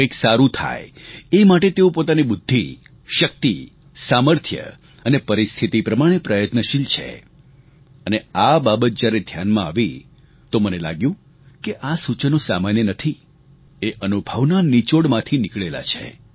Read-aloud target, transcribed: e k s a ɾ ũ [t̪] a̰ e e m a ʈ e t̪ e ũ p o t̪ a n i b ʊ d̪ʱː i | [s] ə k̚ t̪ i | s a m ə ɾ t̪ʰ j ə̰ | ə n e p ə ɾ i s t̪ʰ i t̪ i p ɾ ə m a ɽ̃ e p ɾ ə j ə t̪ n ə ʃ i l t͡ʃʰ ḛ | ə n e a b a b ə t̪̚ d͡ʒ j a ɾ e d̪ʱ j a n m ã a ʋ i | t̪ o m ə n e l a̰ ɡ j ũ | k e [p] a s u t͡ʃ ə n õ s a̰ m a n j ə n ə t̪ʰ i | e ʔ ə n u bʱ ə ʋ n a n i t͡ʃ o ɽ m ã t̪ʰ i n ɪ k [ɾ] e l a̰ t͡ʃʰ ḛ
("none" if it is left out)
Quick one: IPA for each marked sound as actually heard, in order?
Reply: t̪ʰ, ʃ, ʔ, ɭ

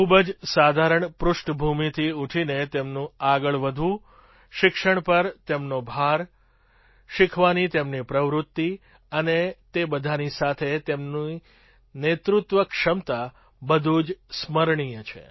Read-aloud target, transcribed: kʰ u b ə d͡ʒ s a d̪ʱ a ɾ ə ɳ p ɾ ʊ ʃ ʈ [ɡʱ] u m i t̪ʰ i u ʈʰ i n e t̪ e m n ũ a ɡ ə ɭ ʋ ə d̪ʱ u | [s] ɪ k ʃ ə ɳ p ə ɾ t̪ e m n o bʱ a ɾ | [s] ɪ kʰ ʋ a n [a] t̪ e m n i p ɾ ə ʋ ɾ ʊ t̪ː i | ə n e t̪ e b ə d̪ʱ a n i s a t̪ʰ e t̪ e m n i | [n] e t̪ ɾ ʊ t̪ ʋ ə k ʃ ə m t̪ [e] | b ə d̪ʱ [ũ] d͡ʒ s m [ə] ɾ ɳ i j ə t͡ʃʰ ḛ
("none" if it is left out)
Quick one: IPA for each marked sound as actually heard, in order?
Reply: bʱ, ʃ, ʃ, i, n, a, u, ə

